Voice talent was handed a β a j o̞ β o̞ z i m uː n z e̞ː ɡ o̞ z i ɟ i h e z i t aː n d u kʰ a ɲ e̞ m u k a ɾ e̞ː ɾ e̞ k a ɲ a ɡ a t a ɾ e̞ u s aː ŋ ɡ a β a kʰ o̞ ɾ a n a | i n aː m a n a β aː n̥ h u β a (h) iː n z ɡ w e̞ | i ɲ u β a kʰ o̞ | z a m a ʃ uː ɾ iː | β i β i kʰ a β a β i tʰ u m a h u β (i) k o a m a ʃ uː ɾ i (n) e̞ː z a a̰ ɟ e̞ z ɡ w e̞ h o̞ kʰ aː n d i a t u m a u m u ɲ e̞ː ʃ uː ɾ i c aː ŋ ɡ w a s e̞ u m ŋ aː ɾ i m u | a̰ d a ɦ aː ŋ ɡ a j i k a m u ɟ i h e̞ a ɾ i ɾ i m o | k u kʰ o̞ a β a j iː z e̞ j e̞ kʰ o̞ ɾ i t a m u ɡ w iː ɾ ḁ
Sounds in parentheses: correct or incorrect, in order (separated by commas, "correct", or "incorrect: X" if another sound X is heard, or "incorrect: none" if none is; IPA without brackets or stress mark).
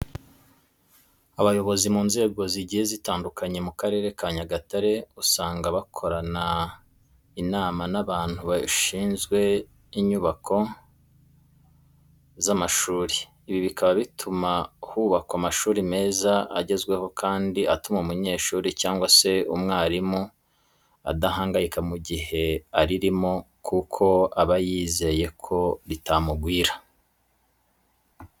incorrect: ʃ, incorrect: a, incorrect: m